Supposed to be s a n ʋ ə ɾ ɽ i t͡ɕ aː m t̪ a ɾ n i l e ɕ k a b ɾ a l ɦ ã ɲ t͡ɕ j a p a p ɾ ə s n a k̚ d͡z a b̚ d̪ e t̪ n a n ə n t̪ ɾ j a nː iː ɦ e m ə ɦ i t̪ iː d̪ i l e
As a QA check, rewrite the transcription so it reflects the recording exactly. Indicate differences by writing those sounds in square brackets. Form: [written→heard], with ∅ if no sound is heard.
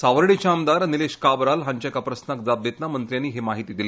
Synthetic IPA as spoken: s a [n→∅] ʋ ə ɾ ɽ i t͡ɕ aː m [t̪→d̪] a ɾ n i l e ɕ k a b ɾ a l ɦ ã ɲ t͡ɕ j a [p→k] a p ɾ ə s n a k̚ d͡z a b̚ d̪ e t̪ n a [n→m] ə n t̪ ɾ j a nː iː ɦ e m [ə→a] ɦ i t̪ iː d̪ i l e